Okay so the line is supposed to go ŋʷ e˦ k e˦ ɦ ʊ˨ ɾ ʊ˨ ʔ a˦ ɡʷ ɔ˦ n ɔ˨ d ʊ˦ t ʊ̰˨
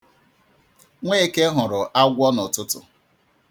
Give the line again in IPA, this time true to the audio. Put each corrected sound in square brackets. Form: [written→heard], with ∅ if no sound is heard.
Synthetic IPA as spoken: ŋʷ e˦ k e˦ ɦ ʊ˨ ɾ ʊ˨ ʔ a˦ ɡʷ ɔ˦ n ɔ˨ [d→t] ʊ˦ t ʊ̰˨